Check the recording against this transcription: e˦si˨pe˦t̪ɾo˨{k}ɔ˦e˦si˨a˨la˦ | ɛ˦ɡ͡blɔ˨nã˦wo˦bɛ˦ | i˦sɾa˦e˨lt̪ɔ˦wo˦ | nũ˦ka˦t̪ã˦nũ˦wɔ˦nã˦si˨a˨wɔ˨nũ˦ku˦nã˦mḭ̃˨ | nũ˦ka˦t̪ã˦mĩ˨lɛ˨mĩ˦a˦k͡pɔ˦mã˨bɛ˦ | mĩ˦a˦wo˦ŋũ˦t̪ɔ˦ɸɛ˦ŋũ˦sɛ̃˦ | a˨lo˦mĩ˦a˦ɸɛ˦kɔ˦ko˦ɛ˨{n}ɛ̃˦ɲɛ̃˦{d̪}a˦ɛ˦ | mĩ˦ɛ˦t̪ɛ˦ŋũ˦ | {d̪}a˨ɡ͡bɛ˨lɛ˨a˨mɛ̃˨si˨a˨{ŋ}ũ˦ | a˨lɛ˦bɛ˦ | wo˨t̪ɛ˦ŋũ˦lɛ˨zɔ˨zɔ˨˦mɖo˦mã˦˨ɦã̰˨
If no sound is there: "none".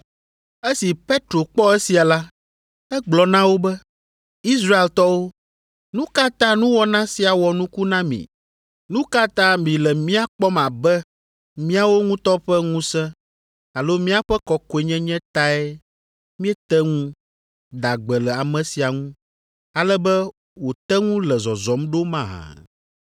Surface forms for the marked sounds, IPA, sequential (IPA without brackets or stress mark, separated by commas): k͡p, ɲ, t̪, d̪, ŋ